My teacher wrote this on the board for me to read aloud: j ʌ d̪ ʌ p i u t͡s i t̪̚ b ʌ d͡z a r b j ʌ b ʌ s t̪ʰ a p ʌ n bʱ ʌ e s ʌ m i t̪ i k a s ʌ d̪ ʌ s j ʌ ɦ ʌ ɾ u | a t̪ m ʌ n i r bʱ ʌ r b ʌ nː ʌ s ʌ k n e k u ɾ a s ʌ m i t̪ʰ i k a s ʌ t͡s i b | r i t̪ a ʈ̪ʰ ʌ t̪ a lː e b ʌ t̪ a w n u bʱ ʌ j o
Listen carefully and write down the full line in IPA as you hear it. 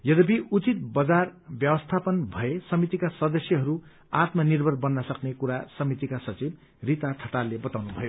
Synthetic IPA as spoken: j ʌ d̪ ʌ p i u t͡s i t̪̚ b ʌ d͡z a r b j ʌ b ʌ s t̪ʰ a p ʌ n bʱ ʌ e s ʌ m i t̪ i k a s ʌ d̪ ʌ s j ʌ ɦ ʌ ɾ u | a t̪ m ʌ n i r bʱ ʌ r b ʌ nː ʌ s ʌ k n e k u ɾ a s ʌ m i t̪ i k a s ʌ t͡s i b | r i t̪ a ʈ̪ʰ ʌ t̪ a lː e b ʌ t̪ a w n u bʱ ʌ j o